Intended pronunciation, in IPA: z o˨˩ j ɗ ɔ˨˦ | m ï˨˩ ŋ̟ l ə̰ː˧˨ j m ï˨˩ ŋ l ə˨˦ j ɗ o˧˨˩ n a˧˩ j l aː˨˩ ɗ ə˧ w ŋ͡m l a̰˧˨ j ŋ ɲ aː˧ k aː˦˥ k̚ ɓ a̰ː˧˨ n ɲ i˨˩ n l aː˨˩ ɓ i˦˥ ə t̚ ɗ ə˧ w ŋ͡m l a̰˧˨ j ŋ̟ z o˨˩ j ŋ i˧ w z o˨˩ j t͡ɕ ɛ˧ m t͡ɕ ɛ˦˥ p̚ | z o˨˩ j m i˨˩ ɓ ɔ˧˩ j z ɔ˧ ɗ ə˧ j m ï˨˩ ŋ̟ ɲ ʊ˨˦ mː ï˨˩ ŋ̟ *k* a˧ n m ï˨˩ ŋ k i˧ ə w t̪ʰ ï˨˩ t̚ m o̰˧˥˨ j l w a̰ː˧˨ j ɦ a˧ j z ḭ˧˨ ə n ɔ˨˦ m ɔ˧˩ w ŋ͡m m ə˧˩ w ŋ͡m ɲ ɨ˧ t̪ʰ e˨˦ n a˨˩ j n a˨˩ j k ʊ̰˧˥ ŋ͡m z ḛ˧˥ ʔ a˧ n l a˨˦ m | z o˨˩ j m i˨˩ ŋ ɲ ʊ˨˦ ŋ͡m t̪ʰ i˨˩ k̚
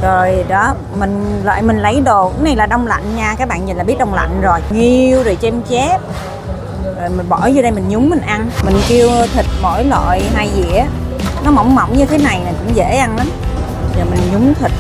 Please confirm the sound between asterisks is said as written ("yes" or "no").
no